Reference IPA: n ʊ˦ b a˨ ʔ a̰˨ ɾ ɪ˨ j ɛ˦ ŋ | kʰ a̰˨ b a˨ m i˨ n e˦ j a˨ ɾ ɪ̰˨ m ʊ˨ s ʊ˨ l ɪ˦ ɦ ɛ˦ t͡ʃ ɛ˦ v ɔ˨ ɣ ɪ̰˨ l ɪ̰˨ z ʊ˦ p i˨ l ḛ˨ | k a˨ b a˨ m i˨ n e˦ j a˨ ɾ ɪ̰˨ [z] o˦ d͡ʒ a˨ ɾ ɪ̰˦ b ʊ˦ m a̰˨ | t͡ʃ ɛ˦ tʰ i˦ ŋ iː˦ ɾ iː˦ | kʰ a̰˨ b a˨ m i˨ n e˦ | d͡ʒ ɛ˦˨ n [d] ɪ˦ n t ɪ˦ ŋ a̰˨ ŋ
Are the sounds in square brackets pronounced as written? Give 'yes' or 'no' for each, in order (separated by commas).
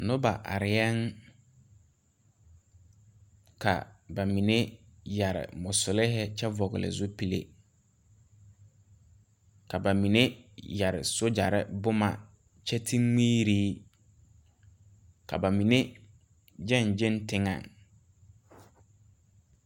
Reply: no, no